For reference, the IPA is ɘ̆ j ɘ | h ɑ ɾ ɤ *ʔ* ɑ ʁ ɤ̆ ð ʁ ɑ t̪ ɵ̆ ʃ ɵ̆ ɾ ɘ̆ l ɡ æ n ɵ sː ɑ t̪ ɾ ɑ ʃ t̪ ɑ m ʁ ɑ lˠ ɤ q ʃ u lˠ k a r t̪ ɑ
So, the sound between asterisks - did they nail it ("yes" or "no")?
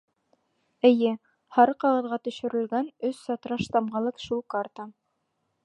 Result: no